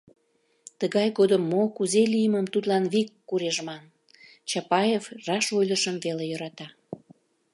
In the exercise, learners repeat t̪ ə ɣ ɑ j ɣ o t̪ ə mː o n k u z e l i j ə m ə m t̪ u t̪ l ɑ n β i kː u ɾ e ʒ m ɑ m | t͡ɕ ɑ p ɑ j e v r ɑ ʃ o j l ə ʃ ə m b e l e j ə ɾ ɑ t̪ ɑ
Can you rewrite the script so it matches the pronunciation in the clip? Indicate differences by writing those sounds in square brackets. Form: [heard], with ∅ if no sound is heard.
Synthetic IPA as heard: t̪ ə ɣ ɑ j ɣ o [d̪] ə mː o [∅] k u z e l i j ə m ə m t̪ u t̪ l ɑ n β i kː u ɾ e ʒ m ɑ [n] | t͡ɕ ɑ p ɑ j e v r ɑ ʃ o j l ə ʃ ə m [v] e l e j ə ɾ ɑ t̪ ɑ